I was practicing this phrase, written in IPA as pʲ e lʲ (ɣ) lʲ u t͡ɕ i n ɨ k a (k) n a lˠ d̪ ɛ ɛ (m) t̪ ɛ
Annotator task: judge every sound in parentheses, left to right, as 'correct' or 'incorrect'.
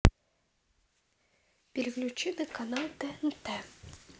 correct, incorrect: none, incorrect: n

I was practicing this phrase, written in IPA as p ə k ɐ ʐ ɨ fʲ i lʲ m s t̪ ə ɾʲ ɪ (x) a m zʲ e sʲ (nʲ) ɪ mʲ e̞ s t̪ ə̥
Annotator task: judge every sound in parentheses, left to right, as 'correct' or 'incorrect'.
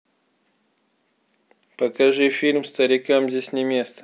incorrect: k, correct

